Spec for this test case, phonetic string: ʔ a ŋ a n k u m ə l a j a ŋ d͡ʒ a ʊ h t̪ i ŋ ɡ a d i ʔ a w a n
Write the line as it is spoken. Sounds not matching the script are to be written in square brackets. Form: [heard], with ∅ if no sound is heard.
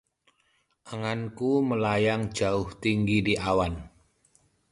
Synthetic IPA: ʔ a ŋ a n k u m ə l a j a ŋ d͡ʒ a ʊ h t̪ i ŋ ɡ [i] d i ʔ a w a n